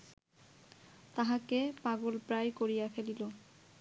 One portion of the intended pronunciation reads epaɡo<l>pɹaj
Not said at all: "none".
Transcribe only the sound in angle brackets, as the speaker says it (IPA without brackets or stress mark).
l